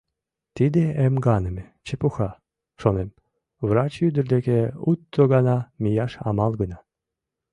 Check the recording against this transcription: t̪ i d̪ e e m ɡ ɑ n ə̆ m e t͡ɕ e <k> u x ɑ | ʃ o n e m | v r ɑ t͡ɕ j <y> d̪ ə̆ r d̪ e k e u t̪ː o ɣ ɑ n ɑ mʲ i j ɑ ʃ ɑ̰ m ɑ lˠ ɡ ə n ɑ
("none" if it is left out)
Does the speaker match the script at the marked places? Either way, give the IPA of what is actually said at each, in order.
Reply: p, y

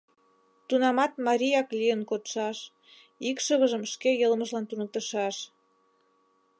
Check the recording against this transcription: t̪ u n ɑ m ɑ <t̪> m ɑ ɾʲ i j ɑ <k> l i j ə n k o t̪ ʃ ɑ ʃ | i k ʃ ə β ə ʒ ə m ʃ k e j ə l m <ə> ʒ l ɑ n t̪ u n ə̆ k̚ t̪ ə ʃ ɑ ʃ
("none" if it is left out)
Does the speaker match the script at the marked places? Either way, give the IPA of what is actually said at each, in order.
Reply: t̪, k, ə

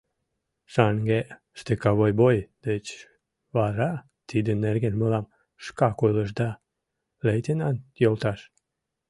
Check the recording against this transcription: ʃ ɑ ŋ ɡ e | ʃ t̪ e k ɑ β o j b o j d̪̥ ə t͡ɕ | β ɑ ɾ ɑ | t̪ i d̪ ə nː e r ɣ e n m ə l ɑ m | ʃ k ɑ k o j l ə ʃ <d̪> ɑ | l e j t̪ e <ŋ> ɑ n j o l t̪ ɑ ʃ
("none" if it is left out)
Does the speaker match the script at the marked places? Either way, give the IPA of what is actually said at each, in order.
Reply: d̪, n

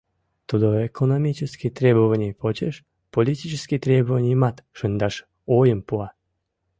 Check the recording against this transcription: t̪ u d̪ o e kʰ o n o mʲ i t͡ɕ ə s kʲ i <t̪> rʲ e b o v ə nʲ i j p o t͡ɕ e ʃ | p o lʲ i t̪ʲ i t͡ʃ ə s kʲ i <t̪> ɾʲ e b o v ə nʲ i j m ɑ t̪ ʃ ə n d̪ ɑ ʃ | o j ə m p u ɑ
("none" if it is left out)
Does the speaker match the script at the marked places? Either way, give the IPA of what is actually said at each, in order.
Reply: t̪, t̪

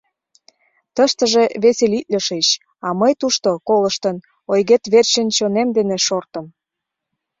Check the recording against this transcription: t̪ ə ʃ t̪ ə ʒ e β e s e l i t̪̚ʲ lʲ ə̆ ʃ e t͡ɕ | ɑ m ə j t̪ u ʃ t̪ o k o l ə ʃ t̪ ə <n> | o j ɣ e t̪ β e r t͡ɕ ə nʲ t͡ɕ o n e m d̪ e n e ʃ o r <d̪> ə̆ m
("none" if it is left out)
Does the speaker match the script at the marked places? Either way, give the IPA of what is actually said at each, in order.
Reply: n, t̪

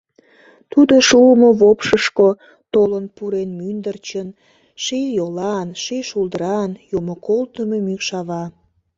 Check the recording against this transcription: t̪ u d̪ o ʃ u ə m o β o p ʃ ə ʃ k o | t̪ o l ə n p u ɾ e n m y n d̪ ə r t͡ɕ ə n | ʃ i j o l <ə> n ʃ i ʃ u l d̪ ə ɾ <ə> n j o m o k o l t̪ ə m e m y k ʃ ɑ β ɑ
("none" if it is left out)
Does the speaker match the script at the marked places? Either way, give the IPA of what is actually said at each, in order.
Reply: ɑ, ɑ

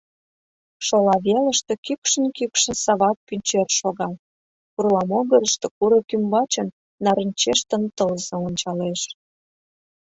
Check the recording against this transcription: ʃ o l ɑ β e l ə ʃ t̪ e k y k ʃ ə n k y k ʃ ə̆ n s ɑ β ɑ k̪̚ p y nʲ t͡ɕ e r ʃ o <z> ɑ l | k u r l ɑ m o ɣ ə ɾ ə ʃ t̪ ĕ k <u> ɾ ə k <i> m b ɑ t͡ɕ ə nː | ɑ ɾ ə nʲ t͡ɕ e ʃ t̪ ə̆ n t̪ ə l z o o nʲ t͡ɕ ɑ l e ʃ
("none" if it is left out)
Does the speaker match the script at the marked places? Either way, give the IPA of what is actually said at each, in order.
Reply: ɣ, u, y

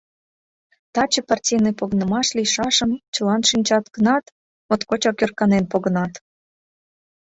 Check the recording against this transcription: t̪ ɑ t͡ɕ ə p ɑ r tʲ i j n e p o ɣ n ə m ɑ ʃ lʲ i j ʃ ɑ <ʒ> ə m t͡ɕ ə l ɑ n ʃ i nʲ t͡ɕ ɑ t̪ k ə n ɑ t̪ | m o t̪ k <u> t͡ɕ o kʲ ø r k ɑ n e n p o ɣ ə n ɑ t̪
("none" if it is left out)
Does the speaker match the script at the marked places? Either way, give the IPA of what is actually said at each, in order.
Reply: ʃ, o

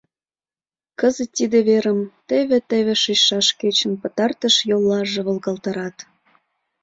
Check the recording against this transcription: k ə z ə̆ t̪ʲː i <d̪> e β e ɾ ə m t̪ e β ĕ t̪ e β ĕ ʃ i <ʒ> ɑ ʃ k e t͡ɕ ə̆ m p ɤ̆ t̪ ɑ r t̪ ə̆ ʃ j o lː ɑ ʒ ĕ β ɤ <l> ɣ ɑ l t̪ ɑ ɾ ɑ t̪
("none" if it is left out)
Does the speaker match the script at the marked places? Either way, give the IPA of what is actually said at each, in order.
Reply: d̪, ʃ, l

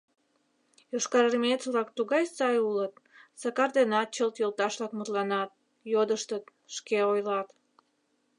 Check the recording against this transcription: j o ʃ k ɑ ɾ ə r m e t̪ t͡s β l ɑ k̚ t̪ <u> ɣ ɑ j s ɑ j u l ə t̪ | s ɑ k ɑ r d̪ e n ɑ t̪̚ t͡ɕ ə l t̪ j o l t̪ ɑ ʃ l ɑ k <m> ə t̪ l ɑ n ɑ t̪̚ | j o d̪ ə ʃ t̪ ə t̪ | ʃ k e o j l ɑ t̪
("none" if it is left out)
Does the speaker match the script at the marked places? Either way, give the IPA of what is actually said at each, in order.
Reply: u, m

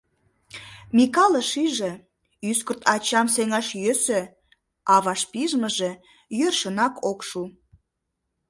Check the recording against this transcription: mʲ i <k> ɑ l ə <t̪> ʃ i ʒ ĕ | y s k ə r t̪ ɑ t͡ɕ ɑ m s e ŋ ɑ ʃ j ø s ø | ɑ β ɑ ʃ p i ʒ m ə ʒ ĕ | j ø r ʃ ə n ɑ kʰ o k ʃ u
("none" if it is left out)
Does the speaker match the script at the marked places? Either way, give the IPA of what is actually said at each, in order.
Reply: k, none

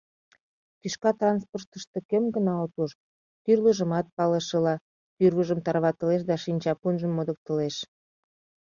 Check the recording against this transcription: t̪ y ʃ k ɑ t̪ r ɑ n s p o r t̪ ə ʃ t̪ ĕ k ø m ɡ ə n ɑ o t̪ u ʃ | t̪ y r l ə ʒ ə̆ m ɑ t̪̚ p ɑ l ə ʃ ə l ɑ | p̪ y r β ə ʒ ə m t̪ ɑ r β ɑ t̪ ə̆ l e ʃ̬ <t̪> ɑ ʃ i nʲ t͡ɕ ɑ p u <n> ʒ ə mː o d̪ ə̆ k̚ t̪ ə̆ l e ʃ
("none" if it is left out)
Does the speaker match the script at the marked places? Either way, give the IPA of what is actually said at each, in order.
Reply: d̪, n

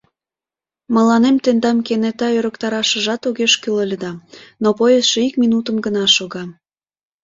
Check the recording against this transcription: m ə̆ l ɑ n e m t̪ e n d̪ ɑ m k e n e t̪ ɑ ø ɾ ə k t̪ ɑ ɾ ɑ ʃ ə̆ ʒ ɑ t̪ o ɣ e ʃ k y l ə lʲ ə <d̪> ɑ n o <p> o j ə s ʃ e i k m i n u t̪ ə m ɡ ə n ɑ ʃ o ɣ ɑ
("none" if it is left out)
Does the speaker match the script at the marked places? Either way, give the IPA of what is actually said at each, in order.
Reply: d̪, p

